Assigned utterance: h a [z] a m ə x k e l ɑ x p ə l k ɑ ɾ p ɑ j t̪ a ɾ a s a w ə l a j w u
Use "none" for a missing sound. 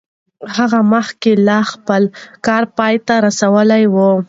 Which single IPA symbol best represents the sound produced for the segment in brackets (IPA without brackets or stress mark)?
ɣ